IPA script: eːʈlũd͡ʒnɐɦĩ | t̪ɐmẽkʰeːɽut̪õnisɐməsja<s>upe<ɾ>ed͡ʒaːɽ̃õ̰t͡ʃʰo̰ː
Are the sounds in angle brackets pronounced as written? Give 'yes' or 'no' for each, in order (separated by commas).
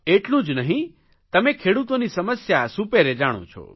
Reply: yes, yes